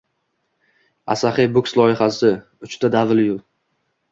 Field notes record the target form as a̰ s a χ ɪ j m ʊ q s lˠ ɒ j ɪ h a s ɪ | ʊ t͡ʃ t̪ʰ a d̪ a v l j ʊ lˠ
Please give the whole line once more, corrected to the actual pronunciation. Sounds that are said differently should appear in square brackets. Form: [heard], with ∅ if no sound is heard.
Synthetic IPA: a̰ s a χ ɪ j [b] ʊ [k] s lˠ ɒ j ɪ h a s ɪ | ʊ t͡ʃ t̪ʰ a d̪ a v l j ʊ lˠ